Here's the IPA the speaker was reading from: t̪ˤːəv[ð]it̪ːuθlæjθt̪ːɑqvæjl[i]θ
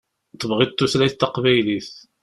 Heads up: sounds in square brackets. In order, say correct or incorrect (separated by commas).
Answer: incorrect, correct